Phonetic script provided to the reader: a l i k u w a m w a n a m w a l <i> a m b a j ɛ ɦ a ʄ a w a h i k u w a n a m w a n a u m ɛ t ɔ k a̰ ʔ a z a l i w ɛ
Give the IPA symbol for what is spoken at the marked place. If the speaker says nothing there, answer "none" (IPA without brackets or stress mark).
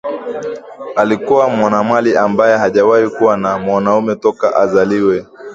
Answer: i